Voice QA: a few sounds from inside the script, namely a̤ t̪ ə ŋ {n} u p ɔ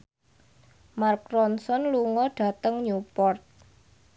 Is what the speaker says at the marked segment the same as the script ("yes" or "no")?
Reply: no